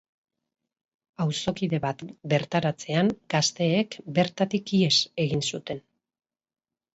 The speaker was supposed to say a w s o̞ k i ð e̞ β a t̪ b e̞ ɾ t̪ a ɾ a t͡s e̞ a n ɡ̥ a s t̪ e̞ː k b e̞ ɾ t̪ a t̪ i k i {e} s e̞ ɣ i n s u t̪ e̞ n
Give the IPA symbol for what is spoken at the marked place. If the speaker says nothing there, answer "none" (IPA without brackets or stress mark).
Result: e